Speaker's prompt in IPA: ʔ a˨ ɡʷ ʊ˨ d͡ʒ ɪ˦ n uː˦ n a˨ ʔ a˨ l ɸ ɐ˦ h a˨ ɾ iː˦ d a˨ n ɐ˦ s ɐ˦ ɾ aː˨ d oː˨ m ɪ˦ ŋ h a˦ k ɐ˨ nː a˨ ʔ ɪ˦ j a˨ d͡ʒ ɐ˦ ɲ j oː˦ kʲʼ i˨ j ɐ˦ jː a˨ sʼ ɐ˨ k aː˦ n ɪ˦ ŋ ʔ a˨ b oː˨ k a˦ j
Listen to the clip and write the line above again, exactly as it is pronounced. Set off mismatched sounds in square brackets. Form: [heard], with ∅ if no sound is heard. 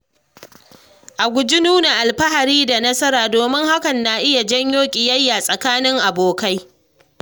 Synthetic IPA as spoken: ʔ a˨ ɡʷ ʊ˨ d͡ʒ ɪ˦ n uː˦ n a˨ ʔ a˨ l ɸ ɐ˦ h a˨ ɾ iː˦ d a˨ n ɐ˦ s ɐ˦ ɾ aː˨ d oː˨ m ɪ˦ ŋ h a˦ k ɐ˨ nː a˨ ʔ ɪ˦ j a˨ d͡ʒ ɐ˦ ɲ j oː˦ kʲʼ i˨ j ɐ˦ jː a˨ sʼ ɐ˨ k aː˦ n ɪ˦ ŋ ʔ a˨ b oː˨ k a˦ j